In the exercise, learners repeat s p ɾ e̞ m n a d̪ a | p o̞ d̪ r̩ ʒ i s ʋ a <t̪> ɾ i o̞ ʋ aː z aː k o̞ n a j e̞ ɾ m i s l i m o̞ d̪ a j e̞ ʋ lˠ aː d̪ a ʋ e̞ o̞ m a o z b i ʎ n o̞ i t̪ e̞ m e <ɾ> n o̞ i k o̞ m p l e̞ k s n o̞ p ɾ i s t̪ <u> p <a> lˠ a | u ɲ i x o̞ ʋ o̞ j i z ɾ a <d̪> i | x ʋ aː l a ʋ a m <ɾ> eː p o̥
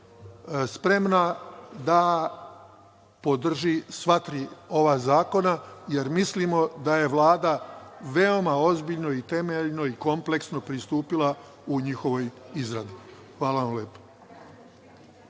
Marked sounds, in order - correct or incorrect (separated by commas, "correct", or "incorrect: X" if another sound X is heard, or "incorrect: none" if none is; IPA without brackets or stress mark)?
correct, incorrect: ʎ, incorrect: uː, incorrect: i, correct, incorrect: l